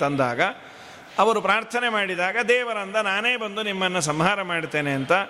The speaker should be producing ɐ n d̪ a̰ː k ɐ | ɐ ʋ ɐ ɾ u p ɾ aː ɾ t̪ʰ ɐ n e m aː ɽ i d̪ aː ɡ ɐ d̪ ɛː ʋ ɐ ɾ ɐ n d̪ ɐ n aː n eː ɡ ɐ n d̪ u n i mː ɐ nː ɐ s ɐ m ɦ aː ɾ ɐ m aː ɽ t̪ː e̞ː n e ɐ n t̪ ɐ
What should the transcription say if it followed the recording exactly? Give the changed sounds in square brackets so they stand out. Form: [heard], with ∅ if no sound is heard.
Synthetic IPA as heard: ɐ n d̪ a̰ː [ɡ] ɐ | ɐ ʋ ɐ ɾ u p ɾ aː ɾ t̪ʰ ɐ n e m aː ɽ i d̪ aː ɡ ɐ d̪ ɛː ʋ ɐ ɾ ɐ n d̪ ɐ n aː n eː [b] ɐ n d̪ u n i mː ɐ nː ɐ s ɐ m ɦ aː ɾ ɐ m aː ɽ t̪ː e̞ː n e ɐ n t̪ ɐ